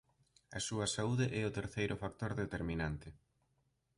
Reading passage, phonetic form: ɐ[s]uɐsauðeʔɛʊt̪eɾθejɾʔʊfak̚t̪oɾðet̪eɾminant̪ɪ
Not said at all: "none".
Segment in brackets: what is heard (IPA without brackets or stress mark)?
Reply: s